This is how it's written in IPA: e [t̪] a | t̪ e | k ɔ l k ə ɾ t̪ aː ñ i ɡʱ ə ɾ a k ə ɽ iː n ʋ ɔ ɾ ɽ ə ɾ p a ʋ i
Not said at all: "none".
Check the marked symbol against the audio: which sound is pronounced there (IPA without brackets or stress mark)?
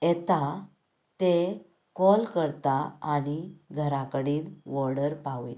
t̪